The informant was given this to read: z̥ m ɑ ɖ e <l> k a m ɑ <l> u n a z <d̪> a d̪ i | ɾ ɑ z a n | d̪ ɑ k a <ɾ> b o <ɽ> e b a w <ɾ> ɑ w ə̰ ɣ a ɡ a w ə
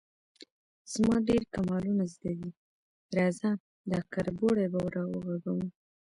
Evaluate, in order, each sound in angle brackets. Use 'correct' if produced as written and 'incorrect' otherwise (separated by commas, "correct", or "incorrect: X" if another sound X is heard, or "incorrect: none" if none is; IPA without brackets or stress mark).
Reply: incorrect: ɾ, correct, correct, correct, correct, correct